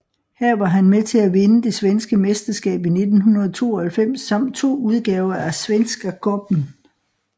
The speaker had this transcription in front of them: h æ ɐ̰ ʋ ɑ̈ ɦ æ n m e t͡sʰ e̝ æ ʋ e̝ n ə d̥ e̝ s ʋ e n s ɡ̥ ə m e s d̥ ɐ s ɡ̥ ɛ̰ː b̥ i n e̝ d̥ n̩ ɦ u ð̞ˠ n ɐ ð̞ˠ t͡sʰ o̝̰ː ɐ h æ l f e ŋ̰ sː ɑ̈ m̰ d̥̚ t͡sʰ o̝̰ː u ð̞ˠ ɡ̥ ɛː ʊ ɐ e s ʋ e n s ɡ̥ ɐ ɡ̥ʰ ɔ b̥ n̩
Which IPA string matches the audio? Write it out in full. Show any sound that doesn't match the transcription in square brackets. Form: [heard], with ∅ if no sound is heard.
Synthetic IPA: h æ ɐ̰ ʋ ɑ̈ ɦ æ n m e t͡sʰ e̝ æ ʋ e̝ n ə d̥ e̝ s ʋ e n s ɡ̥ ə m e s d̥ ɐ s ɡ̥ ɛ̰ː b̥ i n e̝ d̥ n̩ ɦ u [∅] n ɐ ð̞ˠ t͡sʰ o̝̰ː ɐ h æ l f e [m̰] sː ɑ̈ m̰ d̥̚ t͡sʰ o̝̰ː u ð̞ˠ ɡ̥ ɛː ʊ ɐ [æ] s ʋ e n s ɡ̥ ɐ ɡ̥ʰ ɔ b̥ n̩